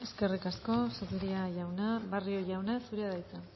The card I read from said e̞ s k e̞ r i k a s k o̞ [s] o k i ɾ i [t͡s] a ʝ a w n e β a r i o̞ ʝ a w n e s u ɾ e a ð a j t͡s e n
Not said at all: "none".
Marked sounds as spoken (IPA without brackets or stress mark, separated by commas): s, none